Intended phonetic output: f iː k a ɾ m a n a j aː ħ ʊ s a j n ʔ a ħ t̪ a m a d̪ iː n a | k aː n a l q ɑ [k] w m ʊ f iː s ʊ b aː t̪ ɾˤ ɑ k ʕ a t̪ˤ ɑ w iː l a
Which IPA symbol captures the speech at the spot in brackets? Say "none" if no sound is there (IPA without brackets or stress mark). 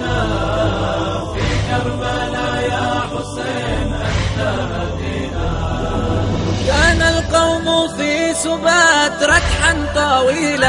none